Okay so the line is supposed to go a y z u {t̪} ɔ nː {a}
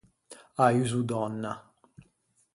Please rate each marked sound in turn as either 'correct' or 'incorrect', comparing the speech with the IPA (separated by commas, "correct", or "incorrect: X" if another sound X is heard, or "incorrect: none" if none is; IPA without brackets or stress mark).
incorrect: d̪, correct